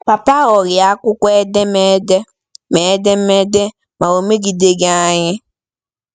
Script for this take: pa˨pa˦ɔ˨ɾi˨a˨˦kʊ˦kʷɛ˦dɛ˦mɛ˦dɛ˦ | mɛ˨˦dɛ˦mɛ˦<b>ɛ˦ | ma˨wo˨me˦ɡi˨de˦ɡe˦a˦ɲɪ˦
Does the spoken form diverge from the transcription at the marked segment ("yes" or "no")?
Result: yes